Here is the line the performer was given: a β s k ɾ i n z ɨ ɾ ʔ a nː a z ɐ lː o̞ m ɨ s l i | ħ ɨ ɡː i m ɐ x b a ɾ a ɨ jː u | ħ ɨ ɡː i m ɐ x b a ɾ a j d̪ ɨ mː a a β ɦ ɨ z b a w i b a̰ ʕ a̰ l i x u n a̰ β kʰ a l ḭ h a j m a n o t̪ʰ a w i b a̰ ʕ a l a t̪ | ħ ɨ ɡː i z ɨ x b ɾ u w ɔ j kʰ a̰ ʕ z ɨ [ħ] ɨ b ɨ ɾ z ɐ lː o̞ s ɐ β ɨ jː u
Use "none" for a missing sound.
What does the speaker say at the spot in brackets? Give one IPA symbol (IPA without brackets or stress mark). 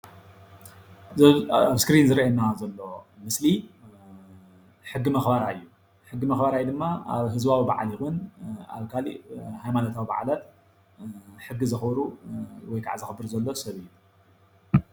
x